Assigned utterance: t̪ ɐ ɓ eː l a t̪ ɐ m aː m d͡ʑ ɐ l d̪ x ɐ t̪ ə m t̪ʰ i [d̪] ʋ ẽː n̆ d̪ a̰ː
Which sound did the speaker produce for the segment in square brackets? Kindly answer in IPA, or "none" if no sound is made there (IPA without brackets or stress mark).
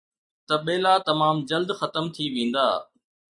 none